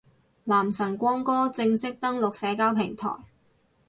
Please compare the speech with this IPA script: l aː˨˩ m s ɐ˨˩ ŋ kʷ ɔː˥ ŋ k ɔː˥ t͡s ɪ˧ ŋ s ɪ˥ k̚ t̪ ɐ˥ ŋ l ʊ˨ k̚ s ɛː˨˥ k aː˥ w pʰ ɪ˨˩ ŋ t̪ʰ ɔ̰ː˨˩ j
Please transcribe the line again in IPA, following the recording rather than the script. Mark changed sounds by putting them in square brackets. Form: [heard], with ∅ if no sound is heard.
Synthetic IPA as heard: l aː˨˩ m s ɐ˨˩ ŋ kʷ ɔː˥ ŋ k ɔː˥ t͡s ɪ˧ ŋ s ɪ˥ k̚ t̪ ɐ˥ ŋ l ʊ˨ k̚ s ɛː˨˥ k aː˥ w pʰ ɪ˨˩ ŋ t̪ʰ ɔ̰ː˨˩ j